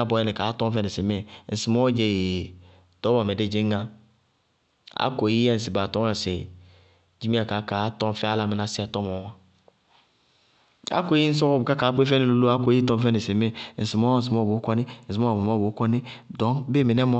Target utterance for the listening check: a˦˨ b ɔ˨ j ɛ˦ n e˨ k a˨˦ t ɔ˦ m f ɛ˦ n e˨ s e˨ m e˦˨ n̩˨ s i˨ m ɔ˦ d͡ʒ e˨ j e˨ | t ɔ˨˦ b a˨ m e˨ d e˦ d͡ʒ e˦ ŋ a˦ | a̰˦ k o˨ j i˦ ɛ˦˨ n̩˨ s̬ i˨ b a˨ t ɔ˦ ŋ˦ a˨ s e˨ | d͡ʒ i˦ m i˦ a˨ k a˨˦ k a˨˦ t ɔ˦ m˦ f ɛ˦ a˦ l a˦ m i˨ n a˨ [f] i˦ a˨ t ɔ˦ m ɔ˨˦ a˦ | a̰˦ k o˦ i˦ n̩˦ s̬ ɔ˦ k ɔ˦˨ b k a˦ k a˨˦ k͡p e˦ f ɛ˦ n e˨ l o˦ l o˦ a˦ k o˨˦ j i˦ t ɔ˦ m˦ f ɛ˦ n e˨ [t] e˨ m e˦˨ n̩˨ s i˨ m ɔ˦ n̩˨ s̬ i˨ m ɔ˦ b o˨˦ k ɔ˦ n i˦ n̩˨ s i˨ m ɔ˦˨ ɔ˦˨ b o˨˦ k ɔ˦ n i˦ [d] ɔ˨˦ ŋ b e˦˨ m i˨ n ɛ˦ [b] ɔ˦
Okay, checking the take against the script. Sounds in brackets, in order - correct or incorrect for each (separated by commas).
incorrect, incorrect, correct, incorrect